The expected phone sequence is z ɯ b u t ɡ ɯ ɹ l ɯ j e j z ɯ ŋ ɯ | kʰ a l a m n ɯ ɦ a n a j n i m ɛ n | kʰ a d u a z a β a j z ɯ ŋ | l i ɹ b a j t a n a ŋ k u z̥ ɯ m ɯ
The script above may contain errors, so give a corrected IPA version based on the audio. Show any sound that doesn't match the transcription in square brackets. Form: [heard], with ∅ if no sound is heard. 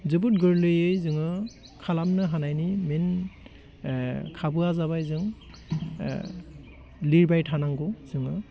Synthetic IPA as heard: z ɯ b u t ɡ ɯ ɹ l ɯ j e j z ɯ ŋ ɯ | kʰ a l a m n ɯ ɦ a n a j n i m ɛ n | kʰ a [b] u a z a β a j z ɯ ŋ | l i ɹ b a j [tʰ] a n a ŋ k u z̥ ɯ [ŋ] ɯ